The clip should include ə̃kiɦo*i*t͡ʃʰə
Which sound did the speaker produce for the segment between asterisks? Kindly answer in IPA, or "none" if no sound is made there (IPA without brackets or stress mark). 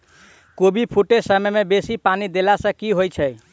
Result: j